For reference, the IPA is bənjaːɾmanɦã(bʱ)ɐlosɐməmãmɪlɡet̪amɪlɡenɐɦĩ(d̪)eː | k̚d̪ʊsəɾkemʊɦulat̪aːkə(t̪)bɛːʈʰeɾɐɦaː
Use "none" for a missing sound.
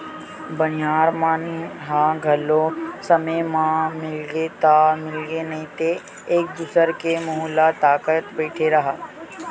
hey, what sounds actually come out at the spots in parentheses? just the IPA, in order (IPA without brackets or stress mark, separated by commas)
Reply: ɡʱ, t̪, t̪